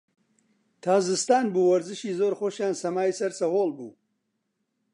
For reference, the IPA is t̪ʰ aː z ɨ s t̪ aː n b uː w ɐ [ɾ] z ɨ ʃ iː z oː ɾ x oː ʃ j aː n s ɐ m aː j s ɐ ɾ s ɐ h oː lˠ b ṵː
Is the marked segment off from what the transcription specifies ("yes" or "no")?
no